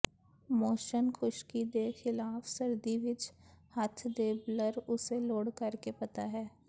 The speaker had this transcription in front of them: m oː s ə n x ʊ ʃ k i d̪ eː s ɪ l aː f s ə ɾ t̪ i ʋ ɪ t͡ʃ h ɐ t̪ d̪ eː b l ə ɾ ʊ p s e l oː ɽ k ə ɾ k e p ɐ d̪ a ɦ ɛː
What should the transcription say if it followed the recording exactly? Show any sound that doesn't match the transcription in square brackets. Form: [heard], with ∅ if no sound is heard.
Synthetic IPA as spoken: m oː [ʃ] ə n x ʊ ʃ k i d̪ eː [x] ɪ l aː f s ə ɾ [d̪] i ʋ ɪ t͡ʃ h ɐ [t̪ʰ] d̪ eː b l ə ɾ ʊ [∅] s e l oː ɽ k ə ɾ k e p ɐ [t̪] a ɦ ɛː